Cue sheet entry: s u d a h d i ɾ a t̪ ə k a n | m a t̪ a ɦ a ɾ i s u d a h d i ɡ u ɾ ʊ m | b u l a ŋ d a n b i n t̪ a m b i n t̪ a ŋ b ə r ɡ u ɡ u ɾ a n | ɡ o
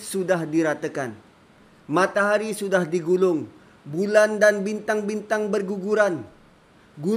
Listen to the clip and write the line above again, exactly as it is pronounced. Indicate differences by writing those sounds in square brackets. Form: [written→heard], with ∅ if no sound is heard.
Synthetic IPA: s u d a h d i ɾ a t̪ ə k a n | m a t̪ a ɦ a ɾ i s u d a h d i ɡ u [ɾ→l] ʊ [m→ŋ] | b u l a [ŋ→n] d a n b i n t̪ a [m→ŋ] b i n t̪ a ŋ b ə r ɡ u ɡ u ɾ a n | ɡ [o→u]